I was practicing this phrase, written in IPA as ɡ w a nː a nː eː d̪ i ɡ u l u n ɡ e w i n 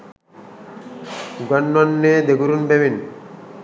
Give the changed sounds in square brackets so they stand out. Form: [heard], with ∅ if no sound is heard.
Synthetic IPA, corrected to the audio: ɡ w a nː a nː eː d̪ [e] ɡ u [ɾ] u n [b] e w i n